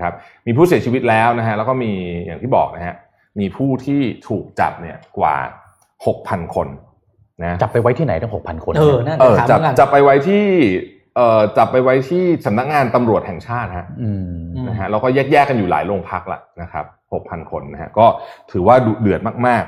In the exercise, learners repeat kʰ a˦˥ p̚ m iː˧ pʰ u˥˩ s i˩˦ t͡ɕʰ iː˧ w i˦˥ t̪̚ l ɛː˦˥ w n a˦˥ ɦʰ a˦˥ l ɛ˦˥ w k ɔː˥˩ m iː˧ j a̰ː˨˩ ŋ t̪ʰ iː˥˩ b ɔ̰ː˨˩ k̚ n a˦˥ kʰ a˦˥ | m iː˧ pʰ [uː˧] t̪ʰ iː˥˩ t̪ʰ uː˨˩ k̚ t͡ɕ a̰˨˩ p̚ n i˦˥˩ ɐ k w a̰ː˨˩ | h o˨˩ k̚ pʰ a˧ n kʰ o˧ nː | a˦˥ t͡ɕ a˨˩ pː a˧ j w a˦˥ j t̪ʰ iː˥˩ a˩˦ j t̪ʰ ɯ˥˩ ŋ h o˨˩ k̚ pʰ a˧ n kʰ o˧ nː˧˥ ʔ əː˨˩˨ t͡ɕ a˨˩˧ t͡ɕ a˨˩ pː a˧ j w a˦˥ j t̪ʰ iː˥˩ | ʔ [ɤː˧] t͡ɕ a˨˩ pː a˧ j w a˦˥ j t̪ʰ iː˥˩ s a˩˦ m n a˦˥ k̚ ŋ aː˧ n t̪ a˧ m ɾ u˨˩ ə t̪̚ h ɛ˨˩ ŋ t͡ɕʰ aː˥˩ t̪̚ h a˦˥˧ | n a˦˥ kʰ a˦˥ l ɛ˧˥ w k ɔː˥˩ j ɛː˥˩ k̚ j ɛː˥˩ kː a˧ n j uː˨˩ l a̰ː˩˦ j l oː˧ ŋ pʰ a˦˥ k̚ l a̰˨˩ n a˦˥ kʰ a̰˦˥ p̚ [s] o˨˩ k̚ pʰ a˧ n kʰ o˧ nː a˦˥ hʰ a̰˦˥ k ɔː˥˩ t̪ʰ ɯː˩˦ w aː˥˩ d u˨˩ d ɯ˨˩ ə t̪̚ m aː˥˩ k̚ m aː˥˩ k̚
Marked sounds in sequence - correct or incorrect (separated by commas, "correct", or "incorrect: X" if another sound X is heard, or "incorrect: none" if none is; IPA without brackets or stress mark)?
incorrect: uː˥˩, incorrect: ɤː˨˩, incorrect: h